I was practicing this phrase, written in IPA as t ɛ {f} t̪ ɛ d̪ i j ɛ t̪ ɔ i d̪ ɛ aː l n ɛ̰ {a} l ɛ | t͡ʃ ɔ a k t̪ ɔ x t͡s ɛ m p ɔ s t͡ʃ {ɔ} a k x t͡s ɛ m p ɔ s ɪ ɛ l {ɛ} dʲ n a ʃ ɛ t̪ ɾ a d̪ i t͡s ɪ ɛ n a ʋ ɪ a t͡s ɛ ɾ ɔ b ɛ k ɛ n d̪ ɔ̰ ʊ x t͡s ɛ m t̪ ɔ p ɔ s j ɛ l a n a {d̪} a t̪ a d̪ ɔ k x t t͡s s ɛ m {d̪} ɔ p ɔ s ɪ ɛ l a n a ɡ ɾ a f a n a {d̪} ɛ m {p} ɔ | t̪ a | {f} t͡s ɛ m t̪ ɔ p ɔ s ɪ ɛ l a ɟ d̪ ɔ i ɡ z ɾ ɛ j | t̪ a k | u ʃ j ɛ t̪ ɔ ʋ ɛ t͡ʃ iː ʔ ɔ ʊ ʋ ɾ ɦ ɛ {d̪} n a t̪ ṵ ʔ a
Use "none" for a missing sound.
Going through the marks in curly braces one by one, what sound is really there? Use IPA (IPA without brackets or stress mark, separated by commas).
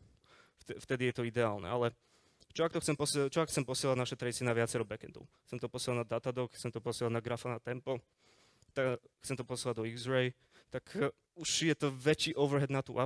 f, a, ɔ, a, d̪, t̪, t̪, p, x, d̪